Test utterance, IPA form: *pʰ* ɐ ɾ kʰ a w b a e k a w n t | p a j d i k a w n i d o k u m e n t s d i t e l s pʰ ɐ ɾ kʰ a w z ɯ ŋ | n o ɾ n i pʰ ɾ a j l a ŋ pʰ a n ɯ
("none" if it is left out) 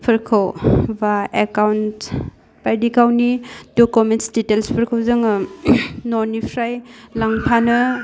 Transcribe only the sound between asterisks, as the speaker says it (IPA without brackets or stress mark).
pʰ